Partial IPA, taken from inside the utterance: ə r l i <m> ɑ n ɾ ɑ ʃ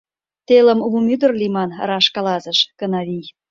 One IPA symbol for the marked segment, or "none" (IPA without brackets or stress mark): m